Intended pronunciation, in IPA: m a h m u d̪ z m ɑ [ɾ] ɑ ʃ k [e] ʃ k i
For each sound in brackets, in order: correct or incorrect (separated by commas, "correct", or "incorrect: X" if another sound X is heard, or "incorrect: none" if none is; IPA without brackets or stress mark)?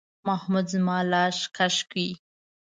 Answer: incorrect: l, incorrect: a